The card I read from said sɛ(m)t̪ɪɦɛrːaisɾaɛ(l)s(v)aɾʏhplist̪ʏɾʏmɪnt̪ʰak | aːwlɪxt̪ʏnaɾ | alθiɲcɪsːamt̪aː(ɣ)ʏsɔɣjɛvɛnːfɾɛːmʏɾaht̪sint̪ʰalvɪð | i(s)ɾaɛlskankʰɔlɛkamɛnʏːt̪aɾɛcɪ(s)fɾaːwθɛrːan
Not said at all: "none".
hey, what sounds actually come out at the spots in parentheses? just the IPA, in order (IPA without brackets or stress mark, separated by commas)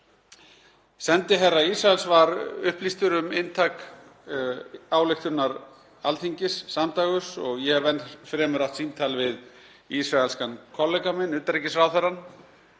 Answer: n, l, v, ɣ, s, s